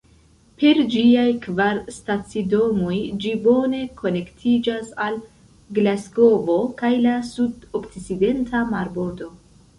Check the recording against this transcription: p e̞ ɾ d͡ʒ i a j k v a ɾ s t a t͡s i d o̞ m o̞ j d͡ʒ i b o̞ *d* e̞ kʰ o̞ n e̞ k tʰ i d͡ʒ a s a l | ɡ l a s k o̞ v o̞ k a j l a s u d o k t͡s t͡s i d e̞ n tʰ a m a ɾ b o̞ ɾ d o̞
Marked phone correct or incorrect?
incorrect: n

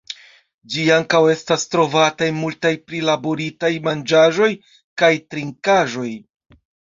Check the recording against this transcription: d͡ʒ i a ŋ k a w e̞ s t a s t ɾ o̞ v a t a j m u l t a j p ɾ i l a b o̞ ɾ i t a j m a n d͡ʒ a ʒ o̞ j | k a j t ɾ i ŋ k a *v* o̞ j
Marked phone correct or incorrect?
incorrect: ʒ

